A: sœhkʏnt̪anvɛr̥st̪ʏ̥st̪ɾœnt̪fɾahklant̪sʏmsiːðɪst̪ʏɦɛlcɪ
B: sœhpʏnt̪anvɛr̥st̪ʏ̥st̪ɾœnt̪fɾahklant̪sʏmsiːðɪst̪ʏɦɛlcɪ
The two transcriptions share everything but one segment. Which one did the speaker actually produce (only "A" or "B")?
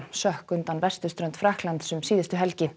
A